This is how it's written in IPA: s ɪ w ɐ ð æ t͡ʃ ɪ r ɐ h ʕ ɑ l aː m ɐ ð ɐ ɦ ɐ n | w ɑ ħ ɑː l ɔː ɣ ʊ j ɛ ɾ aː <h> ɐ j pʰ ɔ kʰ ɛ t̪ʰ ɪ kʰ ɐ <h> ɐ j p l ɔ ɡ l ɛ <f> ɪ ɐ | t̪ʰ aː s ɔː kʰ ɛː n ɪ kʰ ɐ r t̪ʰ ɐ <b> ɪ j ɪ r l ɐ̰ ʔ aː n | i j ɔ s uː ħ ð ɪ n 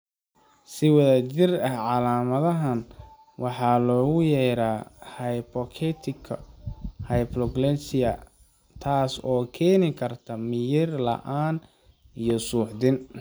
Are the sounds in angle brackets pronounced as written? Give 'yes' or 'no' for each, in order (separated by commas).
yes, yes, no, no